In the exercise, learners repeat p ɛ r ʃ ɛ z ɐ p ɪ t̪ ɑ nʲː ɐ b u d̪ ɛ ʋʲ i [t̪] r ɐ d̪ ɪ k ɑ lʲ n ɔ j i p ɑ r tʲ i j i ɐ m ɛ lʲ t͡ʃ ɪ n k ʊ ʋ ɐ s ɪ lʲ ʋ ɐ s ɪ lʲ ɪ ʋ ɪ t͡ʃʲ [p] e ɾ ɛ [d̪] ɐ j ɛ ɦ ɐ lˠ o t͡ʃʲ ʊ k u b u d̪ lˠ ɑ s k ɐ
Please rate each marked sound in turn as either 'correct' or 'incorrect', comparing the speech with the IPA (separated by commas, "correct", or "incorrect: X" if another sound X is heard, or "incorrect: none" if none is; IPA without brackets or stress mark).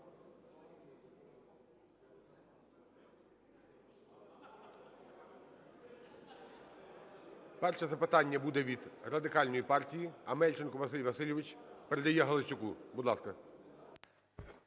incorrect: d̪, correct, correct